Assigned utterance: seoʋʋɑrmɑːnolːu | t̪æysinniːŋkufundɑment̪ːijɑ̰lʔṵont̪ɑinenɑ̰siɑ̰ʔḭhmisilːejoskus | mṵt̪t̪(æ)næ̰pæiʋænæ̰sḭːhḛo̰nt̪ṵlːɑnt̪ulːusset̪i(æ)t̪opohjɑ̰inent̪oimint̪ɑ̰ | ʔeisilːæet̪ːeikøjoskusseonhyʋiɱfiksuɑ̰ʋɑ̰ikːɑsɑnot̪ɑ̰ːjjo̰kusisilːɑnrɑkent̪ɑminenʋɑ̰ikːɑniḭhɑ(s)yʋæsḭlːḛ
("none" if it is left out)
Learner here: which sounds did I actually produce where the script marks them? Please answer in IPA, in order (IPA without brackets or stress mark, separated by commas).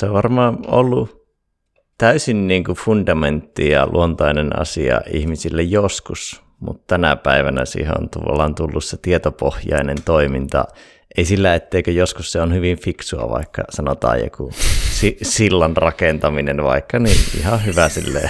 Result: æ, e, h